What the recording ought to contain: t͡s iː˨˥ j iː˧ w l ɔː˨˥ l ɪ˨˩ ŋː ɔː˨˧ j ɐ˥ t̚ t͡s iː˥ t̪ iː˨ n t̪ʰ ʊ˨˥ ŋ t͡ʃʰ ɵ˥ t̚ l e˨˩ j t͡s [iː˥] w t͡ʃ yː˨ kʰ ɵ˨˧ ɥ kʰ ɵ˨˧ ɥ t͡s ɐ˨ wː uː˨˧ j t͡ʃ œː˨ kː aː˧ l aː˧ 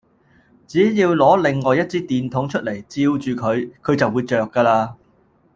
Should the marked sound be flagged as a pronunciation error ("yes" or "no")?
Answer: yes